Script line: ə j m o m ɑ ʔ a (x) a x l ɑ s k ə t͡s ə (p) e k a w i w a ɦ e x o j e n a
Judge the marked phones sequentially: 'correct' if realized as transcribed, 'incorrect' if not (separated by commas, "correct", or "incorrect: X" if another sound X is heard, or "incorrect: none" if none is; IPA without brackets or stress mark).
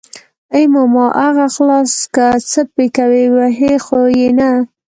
incorrect: ɣ, correct